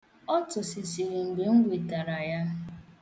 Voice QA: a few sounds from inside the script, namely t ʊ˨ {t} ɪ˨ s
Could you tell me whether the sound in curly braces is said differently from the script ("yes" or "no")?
yes